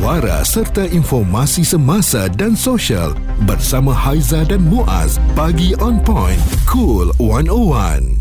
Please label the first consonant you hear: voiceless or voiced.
voiced